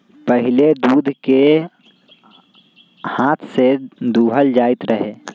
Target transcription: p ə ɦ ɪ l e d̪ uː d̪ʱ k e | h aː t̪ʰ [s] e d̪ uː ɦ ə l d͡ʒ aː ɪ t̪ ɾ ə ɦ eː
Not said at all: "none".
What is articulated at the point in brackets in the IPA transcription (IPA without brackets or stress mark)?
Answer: s